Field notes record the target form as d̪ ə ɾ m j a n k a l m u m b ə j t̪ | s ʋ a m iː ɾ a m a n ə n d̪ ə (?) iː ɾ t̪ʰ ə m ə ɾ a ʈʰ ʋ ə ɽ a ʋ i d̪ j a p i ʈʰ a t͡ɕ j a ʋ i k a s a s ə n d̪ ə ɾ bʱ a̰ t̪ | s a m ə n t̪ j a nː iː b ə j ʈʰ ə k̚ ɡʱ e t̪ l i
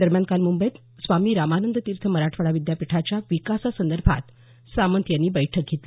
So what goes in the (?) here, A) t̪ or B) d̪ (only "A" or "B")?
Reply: A